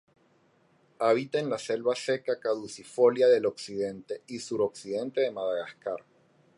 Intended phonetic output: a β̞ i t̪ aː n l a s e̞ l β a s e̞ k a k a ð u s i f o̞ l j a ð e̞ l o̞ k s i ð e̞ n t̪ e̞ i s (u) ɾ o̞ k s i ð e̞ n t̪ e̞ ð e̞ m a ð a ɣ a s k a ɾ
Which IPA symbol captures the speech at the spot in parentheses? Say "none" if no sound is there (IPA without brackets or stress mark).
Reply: u